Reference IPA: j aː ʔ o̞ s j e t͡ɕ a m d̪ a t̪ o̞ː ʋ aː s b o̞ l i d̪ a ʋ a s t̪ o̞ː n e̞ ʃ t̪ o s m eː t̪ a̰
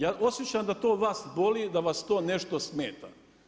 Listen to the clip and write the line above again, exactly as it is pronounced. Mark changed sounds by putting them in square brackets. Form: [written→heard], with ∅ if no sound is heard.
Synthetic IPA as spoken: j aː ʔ o̞ s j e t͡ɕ a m d̪ a t̪ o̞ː ʋ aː s b o̞ l i d̪ a ʋ a s t̪ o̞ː n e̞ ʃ t̪ o s m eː t̪ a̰

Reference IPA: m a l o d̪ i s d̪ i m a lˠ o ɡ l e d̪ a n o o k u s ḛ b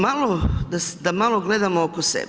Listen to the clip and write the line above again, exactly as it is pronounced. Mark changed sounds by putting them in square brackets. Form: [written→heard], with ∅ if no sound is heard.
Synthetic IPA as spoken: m a l o d̪ [i→a] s d̪ [i→a] m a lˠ o ɡ l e d̪ a [n→m] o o k [u→o] s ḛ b

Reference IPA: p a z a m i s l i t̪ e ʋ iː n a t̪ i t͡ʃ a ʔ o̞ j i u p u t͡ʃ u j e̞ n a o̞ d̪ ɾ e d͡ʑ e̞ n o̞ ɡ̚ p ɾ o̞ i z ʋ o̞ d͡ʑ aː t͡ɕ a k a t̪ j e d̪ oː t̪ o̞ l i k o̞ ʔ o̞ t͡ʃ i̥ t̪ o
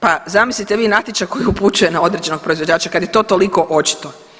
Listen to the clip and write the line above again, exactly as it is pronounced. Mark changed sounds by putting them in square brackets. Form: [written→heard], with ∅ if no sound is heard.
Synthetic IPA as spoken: p a z a m i s l i t̪ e ʋ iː n a t̪ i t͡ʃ a [ʔ→k] o̞ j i u p u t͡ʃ u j e̞ n a o̞ d̪ ɾ e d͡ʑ e̞ n o̞ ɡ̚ p ɾ o̞ i z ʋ o̞ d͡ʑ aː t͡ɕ a k a [t̪→d̪] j e [d̪→t̪] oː t̪ o̞ l i k o̞ ʔ o̞ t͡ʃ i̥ t̪ o

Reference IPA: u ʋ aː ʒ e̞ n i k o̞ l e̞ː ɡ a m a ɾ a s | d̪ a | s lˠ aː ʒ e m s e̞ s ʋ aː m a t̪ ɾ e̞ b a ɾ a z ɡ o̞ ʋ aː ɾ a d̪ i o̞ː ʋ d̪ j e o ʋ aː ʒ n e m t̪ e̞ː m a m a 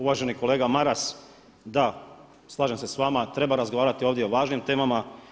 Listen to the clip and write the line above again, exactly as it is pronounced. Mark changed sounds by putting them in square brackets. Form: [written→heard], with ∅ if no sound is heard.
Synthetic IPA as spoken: u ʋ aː ʒ e̞ n i k o̞ l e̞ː ɡ a m a ɾ a s | d̪ a | s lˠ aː ʒ e m s e̞ s ʋ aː m a t̪ ɾ e̞ b a ɾ a z ɡ o̞ ʋ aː ɾ a [d̪→t̪] i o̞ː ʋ d̪ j e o ʋ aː ʒ n [e→i] m t̪ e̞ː m a m a

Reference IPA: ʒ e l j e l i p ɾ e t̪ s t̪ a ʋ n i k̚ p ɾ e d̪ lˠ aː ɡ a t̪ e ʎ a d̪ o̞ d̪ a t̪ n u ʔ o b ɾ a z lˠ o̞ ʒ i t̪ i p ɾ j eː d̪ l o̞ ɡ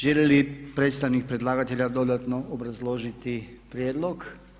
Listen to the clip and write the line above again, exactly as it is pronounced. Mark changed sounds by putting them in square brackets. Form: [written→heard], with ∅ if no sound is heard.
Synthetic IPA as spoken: ʒ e l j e l i p ɾ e t̪ s t̪ a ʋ n i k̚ p ɾ e d̪ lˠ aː ɡ a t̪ e ʎ a d̪ o̞ d̪ a t̪ n [u→o] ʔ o b ɾ a z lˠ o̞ ʒ i t̪ i p ɾ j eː d̪ l o̞ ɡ

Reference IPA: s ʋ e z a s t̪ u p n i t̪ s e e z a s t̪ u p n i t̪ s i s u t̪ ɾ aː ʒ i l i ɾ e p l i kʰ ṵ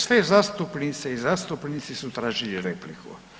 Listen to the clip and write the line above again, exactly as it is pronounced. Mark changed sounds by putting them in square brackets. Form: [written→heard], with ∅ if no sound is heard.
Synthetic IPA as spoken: s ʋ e z a s t̪ u p n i t̪ s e [e→i] z a s t̪ u p n i t̪ s i s u t̪ ɾ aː ʒ i l i ɾ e p l i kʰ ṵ

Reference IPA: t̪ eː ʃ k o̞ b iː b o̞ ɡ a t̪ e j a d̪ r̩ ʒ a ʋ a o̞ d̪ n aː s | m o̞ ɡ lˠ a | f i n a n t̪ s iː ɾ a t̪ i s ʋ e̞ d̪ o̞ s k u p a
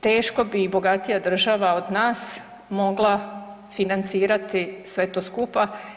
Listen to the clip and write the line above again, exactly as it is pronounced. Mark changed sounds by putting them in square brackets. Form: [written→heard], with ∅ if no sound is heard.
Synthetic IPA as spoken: t̪ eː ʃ k o̞ b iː b o̞ ɡ a t̪ [e→i] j a d̪ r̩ ʒ a ʋ a o̞ d̪ n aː s | m o̞ ɡ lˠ a | f i n a n t̪ s iː ɾ a t̪ i s ʋ e̞ [d̪→t̪] o̞ s k u p a

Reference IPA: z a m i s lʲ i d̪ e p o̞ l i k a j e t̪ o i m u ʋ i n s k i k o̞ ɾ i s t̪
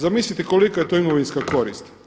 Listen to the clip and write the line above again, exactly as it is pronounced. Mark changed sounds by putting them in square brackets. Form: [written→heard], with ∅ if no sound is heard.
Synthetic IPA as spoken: z a m i s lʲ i [d̪→t̪] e [p→k] o̞ l i k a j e t̪ o i m [u→o] ʋ i n s k [i→a] k o̞ ɾ i s t̪

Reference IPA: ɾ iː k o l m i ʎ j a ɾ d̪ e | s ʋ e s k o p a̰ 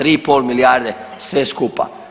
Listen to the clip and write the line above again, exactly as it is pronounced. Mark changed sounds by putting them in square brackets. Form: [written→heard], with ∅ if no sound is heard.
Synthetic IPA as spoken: ɾ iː [k→p] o l m i [ʎ→l] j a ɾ d̪ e | s ʋ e s k [o→u] p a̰

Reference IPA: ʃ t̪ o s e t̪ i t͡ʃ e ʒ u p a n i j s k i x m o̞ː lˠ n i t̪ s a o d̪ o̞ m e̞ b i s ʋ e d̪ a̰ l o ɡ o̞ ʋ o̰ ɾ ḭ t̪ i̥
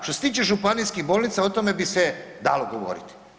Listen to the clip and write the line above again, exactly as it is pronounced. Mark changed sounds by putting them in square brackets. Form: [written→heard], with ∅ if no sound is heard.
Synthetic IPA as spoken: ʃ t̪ o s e t̪ [i→iː] t͡ʃ e ʒ u p a n i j s k i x [m→b] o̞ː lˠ n i t̪ s a o [d̪→t̪] o̞ m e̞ b i s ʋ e d̪ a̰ l o ɡ o̞ ʋ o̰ ɾ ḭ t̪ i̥

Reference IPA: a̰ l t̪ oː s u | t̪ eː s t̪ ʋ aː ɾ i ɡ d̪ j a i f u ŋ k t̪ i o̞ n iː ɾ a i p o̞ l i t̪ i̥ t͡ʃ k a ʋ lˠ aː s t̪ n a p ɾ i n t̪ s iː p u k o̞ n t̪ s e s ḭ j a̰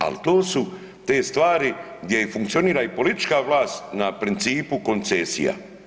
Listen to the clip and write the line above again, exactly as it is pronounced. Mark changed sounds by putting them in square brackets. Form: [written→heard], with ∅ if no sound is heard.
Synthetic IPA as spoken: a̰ l t̪ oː s u | t̪ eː s t̪ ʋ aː ɾ i ɡ d̪ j [a→e] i f u ŋ k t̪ i o̞ n iː ɾ a i p o̞ l i t̪ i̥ t͡ʃ k a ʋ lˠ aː s t̪ n a p ɾ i n t̪ s iː p u k o̞ n t̪ s e s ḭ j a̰

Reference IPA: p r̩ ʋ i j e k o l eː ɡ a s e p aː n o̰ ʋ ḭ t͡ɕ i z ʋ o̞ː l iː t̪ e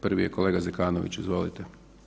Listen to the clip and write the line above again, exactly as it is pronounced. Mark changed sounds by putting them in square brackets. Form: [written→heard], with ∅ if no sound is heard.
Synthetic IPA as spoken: p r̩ ʋ i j e k o l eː ɡ a [s→z] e [p→k] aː n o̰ ʋ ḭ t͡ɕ i z ʋ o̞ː l [iː→i] t̪ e

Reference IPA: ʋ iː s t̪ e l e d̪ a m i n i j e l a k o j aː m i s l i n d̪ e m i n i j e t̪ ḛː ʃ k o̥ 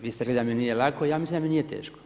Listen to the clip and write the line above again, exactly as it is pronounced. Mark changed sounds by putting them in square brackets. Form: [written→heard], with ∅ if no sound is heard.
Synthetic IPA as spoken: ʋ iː s t̪ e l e d̪ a m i n i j e l a k o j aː m i s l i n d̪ [e→a] m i n i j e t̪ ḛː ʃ k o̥

